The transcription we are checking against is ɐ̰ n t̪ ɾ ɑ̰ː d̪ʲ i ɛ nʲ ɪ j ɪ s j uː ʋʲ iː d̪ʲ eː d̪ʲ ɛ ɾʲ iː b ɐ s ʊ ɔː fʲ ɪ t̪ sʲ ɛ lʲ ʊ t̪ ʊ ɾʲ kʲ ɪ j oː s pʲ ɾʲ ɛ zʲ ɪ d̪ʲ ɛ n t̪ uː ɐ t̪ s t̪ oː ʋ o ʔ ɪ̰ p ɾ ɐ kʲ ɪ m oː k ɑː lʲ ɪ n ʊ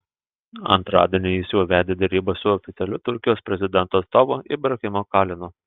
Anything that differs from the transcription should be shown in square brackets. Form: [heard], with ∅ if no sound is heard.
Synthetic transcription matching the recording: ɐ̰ n t̪ ɾ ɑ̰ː d̪ʲ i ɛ nʲ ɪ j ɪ s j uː ʋʲ [æː] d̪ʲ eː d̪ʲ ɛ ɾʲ iː b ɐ s ʊ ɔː fʲ ɪ t̪ sʲ ɛ lʲ ʊ t̪ ʊ ɾʲ kʲ ɪ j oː s pʲ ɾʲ ɛ zʲ ɪ d̪ʲ ɛ n t̪ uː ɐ t̪ s t̪ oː ʋ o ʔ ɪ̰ [b] ɾ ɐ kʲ ɪ m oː k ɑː lʲ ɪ n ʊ